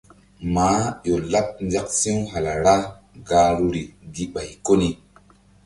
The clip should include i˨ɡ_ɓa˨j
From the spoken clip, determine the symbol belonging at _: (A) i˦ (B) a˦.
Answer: A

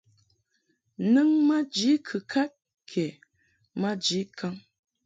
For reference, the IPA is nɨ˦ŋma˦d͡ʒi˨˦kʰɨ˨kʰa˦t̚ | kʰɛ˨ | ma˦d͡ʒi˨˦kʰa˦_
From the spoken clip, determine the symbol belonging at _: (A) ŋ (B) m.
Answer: A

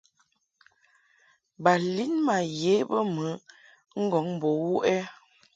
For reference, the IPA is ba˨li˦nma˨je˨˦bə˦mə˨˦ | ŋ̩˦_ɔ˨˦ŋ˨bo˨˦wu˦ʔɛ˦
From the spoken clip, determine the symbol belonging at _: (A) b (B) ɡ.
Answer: B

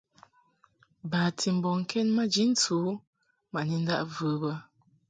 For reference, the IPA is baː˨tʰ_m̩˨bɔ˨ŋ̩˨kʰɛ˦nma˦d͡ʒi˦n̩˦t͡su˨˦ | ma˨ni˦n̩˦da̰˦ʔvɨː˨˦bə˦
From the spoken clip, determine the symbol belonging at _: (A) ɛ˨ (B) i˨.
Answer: B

